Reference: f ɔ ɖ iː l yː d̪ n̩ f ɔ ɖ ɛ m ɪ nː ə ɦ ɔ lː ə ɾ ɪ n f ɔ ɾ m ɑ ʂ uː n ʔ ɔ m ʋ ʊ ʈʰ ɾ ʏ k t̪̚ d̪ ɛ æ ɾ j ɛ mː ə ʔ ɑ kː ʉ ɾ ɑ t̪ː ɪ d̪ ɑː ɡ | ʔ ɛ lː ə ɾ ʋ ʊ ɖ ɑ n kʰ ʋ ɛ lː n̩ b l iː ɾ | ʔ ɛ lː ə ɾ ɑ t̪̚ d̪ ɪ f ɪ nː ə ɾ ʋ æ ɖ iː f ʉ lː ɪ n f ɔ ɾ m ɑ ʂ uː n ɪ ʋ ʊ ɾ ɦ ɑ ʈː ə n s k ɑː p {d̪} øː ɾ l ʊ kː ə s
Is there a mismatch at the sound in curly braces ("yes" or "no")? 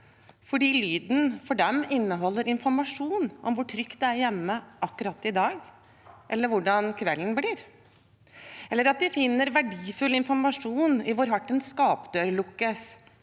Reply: no